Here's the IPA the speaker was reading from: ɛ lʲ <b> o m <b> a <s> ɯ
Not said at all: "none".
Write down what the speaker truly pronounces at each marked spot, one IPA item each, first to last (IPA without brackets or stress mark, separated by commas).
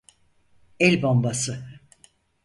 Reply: b, b, s